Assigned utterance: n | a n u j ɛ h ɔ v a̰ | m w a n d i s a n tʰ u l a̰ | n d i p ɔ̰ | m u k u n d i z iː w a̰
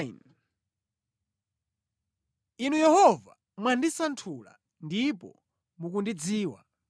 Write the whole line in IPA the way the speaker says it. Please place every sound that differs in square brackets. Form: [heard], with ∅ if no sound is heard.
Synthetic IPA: n | [i] n u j ɛ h ɔ v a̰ | m w a n d i s a n tʰ u l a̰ | n d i p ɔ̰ | m u k u n d i [d͡z] iː w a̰